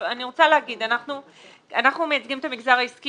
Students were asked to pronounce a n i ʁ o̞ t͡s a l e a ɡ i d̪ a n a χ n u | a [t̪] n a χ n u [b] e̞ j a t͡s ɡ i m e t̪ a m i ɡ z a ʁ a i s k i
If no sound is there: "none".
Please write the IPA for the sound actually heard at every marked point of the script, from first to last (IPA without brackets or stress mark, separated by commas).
none, m